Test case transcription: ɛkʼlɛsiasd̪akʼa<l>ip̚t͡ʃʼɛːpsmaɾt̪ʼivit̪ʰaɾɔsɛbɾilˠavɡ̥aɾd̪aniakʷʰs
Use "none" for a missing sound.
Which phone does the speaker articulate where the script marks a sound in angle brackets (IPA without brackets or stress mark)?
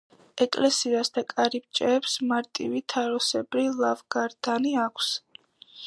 ɾ